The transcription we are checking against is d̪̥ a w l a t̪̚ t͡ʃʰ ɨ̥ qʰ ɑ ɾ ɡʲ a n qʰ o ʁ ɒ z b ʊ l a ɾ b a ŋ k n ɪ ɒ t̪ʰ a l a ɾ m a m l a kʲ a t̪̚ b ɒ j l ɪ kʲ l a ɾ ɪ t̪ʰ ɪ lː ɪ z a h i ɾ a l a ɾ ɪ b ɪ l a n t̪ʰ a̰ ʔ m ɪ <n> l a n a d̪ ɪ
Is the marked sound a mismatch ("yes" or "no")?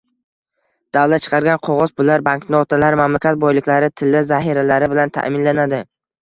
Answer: no